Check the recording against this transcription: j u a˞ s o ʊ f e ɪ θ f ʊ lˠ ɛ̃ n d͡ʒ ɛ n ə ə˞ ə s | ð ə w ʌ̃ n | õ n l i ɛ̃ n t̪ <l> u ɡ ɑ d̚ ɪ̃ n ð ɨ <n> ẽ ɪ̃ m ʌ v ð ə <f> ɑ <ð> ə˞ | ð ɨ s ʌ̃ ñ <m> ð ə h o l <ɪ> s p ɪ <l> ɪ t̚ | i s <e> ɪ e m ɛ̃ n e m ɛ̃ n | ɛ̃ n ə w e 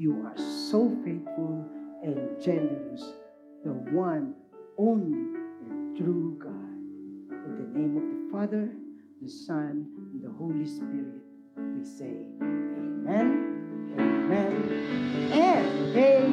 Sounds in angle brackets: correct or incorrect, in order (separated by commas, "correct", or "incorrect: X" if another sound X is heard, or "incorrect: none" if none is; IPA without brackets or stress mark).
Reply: incorrect: ɹ, correct, correct, correct, incorrect: n, incorrect: i, incorrect: ɹ, correct